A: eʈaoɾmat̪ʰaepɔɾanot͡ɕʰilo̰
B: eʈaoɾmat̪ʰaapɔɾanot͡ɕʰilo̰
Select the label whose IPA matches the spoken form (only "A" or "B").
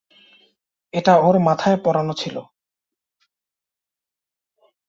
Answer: A